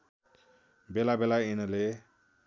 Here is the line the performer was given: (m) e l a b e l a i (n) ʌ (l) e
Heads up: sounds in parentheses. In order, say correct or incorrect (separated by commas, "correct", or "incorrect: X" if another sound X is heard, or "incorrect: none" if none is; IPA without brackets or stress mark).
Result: incorrect: b, correct, correct